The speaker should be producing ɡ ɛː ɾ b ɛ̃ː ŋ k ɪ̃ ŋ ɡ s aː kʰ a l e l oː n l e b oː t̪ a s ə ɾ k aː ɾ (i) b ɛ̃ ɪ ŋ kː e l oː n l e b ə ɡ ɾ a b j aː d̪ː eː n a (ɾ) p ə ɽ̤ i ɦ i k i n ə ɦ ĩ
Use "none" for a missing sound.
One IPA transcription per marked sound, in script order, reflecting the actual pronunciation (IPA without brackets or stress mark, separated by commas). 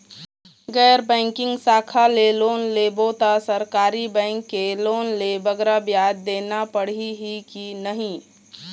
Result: i, none